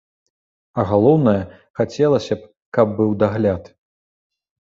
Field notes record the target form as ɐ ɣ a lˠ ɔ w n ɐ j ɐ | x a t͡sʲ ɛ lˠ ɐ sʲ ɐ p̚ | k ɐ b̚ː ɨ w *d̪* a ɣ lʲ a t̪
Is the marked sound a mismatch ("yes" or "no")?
no